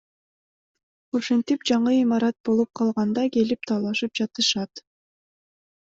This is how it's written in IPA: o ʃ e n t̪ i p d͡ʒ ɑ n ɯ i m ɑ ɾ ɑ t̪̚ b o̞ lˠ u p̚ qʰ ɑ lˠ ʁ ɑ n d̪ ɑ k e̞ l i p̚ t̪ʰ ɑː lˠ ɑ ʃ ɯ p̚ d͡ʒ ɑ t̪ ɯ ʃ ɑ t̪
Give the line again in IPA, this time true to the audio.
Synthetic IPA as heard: o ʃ e n t̪ i p d͡ʒ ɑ ɴ ɯ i m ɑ ɾ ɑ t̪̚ b o̞ lˠ u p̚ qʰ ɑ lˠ ʁ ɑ n d̪ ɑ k e̞ l i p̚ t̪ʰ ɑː lˠ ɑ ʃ ɯ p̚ d͡ʒ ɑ t̪ ɯ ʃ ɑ t̪